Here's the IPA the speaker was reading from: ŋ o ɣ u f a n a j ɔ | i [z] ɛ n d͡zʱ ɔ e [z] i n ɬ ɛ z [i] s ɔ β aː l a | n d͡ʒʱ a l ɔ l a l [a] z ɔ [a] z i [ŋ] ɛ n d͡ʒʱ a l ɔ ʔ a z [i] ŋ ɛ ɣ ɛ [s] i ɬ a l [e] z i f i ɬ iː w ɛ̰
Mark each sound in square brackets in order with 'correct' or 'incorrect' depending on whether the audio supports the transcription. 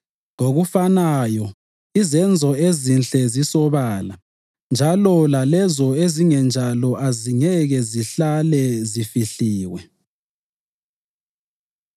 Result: correct, correct, correct, incorrect: ɛ, incorrect: e, correct, correct, incorrect: z, incorrect: ɛ

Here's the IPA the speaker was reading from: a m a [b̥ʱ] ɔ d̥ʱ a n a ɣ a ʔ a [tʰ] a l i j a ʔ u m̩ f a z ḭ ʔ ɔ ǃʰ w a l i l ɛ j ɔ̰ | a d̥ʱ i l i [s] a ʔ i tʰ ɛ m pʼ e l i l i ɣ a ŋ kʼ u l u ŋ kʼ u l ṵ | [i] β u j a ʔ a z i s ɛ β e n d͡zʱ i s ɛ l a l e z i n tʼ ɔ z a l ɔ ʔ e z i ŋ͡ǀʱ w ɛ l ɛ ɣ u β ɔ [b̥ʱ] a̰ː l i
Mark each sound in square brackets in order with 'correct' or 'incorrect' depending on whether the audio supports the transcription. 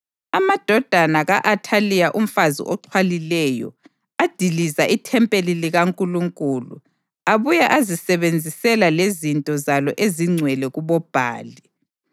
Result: incorrect: d̥ʱ, correct, incorrect: z, incorrect: a, correct

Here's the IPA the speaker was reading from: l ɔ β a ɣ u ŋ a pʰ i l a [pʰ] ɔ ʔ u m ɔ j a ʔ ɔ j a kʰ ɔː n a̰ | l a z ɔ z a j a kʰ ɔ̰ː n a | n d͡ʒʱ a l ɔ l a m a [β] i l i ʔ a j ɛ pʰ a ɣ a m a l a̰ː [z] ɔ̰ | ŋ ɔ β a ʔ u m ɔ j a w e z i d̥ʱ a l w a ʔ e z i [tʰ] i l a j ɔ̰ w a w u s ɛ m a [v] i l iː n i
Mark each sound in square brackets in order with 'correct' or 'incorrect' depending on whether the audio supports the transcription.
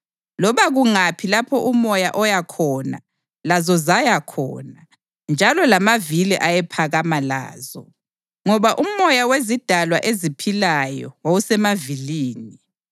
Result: correct, incorrect: v, correct, incorrect: pʰ, correct

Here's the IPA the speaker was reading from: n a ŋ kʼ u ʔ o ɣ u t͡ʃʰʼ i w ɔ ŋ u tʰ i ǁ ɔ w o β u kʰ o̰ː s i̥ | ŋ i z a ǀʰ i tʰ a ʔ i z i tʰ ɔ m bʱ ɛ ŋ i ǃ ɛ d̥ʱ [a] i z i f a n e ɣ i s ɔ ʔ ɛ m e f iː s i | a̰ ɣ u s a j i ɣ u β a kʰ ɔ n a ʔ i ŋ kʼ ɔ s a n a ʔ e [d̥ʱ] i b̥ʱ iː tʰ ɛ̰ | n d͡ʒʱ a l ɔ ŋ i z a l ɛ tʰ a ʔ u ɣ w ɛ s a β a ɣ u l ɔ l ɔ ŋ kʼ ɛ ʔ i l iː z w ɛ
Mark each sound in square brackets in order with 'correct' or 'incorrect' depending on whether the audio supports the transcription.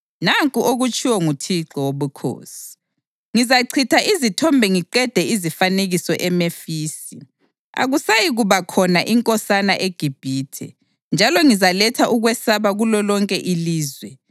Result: incorrect: ɛ, incorrect: ɡ̥ʱ

